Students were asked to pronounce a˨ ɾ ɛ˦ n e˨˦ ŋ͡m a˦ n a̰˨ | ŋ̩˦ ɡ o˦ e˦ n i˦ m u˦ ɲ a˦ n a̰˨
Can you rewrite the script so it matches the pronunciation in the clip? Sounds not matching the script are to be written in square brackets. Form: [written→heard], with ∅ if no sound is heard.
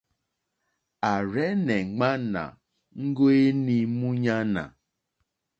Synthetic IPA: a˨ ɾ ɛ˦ n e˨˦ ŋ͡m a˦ n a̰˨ | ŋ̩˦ ɡ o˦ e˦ n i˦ m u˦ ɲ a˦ n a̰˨